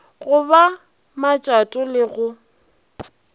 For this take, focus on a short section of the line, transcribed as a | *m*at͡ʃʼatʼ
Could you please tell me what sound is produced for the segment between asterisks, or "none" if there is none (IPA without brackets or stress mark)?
m